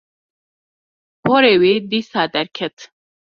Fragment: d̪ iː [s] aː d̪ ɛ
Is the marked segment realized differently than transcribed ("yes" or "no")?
no